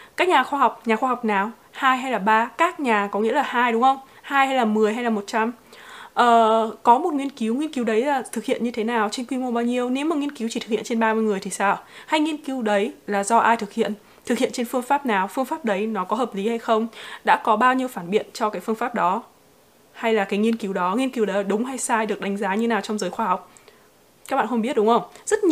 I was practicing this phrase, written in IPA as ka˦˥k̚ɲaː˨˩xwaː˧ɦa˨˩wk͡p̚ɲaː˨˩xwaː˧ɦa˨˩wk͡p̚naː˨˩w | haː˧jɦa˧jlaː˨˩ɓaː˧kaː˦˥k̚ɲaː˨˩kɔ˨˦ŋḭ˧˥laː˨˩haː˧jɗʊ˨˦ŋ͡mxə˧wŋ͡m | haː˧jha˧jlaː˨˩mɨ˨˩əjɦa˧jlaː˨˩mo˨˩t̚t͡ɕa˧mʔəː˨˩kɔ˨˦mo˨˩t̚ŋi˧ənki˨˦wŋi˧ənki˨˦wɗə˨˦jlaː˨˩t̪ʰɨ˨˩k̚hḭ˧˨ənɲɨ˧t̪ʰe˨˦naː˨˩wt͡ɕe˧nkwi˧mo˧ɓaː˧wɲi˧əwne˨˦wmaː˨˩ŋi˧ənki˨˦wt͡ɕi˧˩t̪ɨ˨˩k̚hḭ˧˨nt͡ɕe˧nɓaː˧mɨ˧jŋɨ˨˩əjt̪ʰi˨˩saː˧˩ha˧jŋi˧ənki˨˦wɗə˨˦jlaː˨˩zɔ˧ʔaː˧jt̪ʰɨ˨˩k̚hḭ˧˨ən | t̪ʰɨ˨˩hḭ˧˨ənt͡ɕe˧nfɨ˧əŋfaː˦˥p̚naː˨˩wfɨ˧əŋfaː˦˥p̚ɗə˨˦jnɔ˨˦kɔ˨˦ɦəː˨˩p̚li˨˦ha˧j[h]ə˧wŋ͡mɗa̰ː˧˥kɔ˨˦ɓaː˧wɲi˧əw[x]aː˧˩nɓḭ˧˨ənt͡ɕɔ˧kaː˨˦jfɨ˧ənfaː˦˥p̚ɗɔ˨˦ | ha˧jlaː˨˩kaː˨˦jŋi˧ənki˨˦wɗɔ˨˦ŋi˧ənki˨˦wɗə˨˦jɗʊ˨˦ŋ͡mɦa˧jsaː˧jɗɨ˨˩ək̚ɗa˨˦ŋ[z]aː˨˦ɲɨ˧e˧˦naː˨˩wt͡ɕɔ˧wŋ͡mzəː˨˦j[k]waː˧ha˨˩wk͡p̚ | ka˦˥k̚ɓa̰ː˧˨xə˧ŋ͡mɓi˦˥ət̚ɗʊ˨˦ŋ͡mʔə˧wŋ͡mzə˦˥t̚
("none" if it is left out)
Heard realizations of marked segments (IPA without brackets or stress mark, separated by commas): x, f, z, x